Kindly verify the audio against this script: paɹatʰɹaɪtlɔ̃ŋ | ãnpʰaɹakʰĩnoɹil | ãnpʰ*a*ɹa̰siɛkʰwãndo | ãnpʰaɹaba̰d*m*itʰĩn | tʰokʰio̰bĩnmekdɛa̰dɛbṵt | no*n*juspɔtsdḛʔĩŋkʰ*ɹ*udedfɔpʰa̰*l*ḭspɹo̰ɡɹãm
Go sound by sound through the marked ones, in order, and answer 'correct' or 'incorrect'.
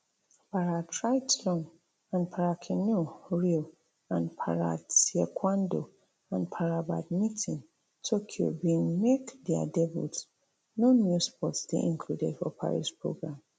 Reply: correct, correct, correct, incorrect: l, incorrect: ɹ

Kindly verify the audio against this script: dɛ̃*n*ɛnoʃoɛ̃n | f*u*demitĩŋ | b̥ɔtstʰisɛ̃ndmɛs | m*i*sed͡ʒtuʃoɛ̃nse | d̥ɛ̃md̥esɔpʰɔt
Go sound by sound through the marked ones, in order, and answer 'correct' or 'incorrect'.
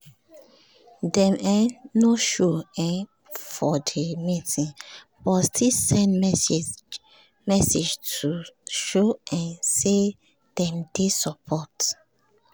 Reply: incorrect: m, incorrect: ɔ, incorrect: ɛ

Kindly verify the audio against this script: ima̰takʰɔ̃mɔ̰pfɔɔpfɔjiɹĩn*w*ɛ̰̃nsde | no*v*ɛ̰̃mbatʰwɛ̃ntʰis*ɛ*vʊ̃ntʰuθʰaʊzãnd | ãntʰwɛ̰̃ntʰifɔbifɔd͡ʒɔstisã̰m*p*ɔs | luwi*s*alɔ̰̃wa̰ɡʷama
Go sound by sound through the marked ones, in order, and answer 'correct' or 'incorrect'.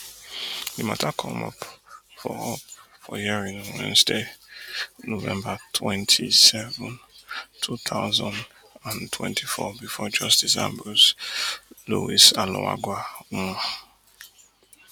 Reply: correct, correct, correct, incorrect: b, correct

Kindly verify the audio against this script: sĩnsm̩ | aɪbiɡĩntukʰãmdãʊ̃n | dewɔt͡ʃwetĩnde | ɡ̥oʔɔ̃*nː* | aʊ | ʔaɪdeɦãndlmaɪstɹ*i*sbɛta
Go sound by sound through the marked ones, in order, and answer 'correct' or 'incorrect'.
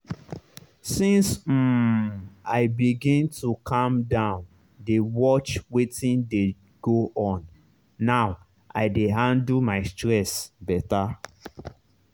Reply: correct, incorrect: ɛ

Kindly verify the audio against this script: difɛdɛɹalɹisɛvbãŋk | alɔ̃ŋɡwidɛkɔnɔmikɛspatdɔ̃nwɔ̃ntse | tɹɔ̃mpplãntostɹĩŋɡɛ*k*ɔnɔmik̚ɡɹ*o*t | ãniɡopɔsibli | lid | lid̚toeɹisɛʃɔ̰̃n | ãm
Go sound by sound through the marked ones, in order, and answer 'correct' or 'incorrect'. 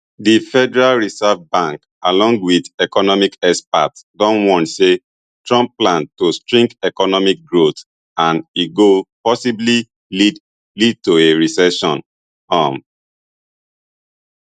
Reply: correct, correct

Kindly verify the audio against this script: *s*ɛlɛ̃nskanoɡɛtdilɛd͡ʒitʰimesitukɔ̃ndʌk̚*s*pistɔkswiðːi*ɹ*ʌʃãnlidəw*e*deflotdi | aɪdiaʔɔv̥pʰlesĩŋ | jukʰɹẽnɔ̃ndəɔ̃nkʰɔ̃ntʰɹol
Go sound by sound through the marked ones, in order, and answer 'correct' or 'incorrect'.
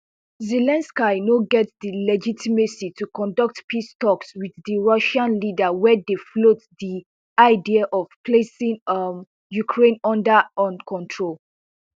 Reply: incorrect: z, incorrect: t, correct, incorrect: ɛ

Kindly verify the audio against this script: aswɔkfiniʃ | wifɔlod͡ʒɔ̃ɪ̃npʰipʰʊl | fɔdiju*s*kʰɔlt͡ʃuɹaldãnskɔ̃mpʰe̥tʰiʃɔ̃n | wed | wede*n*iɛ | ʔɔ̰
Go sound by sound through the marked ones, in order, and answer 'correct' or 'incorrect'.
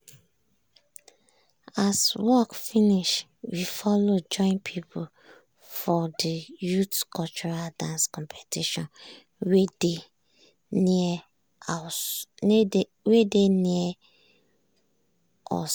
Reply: incorrect: t, correct

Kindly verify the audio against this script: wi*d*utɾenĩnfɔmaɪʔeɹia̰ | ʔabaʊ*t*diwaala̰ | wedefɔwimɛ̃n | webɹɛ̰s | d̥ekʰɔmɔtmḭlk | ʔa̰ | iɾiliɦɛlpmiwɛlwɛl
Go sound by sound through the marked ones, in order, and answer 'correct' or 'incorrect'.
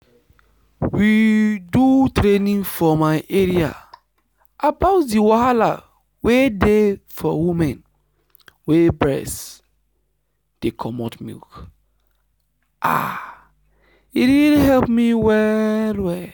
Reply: correct, correct

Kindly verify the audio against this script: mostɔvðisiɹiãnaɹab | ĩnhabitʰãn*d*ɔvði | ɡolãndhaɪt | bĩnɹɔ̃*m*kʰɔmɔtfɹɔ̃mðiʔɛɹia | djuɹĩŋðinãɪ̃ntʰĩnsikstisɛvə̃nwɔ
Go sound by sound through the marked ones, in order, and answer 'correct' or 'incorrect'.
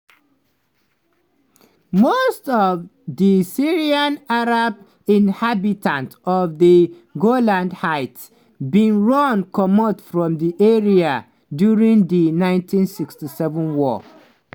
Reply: incorrect: t, incorrect: n

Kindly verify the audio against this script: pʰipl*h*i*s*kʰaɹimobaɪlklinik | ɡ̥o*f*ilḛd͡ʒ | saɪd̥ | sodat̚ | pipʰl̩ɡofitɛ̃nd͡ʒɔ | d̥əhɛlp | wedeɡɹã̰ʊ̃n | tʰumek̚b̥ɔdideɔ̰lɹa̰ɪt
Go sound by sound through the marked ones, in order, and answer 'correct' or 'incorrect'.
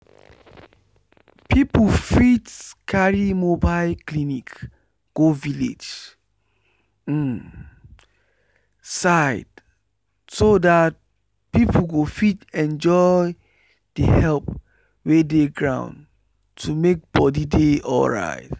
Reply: incorrect: f, incorrect: t, incorrect: v

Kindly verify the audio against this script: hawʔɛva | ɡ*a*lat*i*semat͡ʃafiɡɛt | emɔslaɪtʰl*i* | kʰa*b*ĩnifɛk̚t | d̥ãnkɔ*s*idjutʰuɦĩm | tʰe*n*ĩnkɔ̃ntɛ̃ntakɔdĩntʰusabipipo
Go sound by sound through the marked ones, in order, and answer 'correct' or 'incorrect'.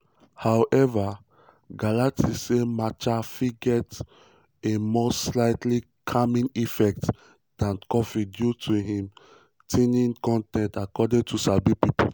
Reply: correct, correct, correct, incorrect: m, incorrect: f, correct

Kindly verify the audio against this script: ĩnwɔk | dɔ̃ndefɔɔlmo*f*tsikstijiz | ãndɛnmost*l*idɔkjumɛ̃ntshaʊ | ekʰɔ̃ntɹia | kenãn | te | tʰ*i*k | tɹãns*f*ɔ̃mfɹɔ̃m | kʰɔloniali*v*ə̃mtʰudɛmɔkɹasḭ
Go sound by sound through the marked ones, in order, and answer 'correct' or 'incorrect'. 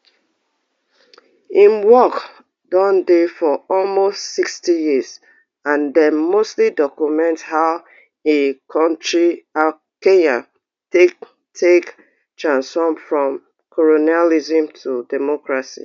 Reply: incorrect: s, correct, incorrect: e, correct, incorrect: z

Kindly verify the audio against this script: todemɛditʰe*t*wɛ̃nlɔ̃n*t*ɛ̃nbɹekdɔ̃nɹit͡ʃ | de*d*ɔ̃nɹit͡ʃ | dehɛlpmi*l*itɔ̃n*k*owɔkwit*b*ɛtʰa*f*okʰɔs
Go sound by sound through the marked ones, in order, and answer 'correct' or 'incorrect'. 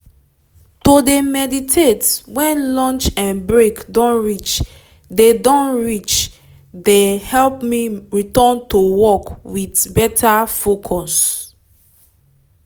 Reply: correct, incorrect: t͡ʃ, correct, incorrect: ɹ, incorrect: t, correct, correct

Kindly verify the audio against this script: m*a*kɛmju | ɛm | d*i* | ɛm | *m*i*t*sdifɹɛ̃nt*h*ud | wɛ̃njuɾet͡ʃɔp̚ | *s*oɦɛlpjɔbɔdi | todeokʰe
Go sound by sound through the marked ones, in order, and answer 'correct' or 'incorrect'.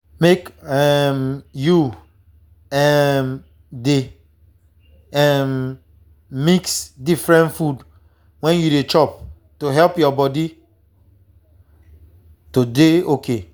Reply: incorrect: e, incorrect: e, correct, incorrect: k, incorrect: f, incorrect: t

